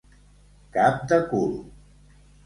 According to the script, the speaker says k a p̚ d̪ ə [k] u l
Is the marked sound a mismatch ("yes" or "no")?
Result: no